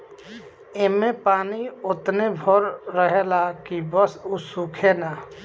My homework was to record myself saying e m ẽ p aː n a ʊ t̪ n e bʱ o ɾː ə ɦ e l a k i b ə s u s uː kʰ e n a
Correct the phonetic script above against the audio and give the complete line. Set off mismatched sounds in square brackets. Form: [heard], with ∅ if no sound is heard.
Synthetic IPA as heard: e m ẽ p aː n [i] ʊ t̪ n e bʱ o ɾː ə ɦ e l a k i b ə s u s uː kʰ e n a